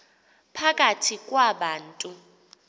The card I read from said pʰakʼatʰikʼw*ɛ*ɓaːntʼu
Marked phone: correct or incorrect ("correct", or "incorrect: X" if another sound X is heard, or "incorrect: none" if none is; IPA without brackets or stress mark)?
incorrect: a